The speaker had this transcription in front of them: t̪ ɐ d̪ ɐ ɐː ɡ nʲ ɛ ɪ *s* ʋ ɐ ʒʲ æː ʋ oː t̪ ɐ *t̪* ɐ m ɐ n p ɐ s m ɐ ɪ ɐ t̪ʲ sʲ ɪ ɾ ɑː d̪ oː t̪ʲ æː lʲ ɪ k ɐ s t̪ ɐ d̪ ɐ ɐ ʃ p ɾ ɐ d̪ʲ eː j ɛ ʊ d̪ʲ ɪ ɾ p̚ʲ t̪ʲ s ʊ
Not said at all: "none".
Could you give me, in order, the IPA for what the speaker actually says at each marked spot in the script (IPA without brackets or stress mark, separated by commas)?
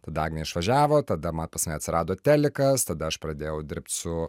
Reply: ʃ, d̪